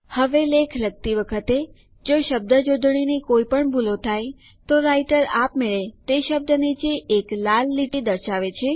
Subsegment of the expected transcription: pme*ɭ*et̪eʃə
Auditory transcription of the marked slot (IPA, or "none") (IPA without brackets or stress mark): ɭ